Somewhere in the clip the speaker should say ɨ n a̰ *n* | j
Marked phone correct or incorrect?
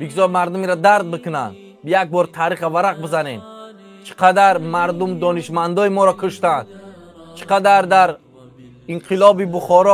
correct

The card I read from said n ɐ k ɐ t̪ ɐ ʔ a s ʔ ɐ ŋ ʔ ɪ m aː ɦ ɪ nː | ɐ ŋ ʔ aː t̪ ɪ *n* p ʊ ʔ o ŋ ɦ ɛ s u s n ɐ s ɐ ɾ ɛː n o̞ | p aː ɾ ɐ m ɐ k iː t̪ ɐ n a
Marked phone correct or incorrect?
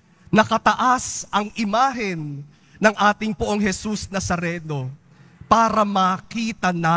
incorrect: ŋ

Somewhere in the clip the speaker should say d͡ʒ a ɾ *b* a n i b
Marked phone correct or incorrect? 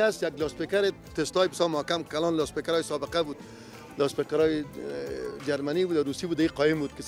incorrect: m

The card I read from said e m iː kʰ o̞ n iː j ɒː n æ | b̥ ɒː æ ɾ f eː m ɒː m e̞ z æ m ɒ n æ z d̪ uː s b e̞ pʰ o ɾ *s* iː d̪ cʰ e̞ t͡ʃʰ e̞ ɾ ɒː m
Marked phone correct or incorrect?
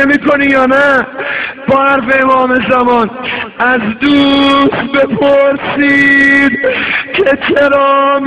correct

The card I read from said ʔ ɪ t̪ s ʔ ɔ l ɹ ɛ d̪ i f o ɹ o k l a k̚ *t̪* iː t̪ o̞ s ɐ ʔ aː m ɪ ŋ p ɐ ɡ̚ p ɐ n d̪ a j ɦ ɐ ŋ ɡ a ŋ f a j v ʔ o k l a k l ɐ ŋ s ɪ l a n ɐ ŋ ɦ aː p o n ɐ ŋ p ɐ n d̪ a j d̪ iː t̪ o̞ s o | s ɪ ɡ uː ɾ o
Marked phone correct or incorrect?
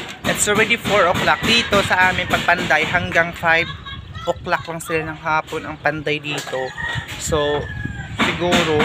incorrect: d̪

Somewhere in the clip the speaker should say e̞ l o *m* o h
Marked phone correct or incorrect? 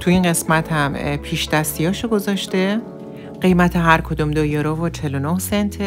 incorrect: n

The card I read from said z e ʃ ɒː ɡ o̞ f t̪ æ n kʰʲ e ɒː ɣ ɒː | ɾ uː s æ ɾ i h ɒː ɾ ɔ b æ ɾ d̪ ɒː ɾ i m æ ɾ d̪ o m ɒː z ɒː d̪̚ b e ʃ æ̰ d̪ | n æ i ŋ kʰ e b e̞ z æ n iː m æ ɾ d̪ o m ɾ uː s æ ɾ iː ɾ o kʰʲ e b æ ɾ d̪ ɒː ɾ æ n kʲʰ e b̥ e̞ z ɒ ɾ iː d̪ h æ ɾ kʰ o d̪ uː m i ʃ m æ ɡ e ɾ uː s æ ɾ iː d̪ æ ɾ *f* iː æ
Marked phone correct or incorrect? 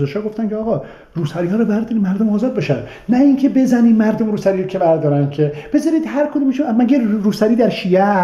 incorrect: ʃ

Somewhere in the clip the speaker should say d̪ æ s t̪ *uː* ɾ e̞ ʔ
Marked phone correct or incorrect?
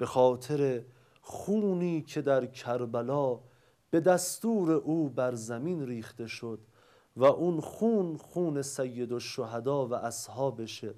correct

